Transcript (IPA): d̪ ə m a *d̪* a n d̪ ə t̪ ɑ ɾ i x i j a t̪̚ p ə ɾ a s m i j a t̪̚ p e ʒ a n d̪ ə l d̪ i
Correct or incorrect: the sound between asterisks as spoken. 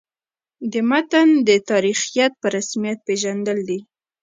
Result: incorrect: t̪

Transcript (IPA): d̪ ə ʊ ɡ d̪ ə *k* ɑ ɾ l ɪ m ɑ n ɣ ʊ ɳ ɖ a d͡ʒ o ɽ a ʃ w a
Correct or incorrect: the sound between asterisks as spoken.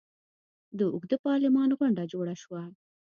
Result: incorrect: p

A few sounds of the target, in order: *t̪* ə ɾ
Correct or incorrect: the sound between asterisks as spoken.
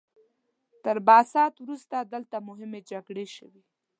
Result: correct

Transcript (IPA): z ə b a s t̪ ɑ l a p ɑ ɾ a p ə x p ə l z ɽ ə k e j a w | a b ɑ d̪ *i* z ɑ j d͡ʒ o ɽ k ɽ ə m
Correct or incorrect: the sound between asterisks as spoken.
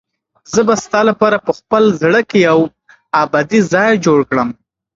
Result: correct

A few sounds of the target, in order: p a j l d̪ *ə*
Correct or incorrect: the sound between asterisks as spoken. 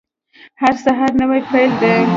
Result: correct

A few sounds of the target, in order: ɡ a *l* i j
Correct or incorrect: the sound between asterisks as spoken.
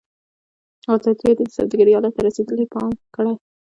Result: incorrect: ɾ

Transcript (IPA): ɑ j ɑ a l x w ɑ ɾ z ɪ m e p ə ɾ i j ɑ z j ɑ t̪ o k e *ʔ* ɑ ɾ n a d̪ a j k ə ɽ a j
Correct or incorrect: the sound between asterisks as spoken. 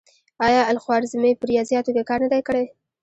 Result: incorrect: k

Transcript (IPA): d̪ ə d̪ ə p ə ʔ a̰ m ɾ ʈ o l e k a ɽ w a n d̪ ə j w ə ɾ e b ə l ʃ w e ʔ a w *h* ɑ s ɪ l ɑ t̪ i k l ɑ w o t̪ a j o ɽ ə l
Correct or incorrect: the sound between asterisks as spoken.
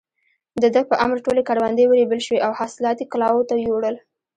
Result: correct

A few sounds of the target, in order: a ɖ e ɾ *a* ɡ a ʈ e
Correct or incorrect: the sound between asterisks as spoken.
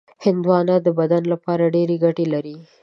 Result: incorrect: e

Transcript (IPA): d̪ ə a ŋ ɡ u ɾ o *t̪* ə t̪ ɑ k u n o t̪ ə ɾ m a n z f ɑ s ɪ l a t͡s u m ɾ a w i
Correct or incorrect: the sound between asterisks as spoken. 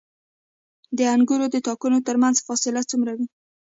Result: incorrect: d̪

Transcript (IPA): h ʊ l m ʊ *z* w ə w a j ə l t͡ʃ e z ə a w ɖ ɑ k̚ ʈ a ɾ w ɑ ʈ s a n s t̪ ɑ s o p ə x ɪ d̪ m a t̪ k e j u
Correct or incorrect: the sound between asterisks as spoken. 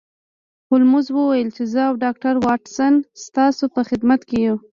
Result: correct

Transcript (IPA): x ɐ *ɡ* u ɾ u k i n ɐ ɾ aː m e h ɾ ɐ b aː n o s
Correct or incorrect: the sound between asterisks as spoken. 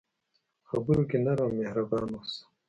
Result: incorrect: b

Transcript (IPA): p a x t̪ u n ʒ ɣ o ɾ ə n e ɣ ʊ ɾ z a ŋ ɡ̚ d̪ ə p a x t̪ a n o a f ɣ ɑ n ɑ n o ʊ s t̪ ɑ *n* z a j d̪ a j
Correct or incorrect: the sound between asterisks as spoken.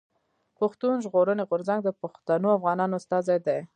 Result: incorrect: none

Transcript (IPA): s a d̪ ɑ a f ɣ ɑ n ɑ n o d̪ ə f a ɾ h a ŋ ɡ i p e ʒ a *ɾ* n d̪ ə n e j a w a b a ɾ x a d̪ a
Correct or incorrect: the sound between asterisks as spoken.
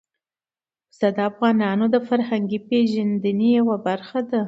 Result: incorrect: none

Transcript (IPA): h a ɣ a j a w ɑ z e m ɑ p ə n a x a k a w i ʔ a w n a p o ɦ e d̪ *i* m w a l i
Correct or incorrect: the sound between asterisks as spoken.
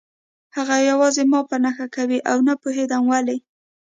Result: incorrect: a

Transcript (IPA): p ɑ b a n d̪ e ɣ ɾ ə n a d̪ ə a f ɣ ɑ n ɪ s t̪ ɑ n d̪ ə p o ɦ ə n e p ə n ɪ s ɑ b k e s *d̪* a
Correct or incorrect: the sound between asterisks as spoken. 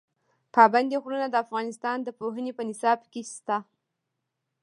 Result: incorrect: t̪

